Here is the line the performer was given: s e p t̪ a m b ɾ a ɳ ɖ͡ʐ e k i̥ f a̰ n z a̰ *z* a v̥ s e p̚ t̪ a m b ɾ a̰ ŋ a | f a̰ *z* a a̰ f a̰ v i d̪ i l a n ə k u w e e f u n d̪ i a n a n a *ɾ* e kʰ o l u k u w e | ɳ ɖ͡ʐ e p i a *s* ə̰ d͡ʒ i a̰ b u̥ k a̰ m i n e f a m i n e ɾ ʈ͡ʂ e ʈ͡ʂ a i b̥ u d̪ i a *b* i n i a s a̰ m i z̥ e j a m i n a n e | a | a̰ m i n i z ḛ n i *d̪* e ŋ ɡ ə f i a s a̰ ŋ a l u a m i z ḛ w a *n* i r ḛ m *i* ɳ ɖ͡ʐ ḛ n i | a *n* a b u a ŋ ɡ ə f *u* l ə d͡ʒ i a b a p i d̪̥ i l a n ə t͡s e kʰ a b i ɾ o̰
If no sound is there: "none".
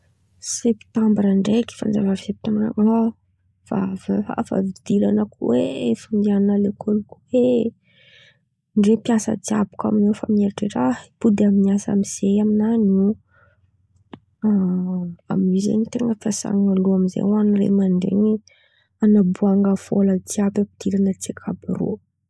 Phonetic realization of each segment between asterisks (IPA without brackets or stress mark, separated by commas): v, v, l, s, m, t̪, n, a, n, o